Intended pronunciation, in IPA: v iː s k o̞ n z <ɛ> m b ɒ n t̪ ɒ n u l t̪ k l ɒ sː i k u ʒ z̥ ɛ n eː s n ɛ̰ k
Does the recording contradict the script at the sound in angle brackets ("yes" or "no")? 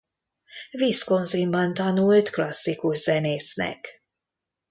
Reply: yes